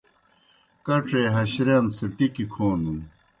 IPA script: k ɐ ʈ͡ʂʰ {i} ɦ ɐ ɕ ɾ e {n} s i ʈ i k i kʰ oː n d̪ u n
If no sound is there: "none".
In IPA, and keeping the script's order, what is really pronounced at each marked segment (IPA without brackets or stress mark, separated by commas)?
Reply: e, n